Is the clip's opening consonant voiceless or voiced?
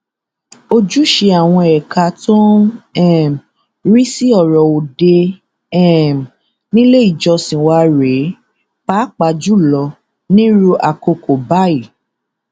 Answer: voiced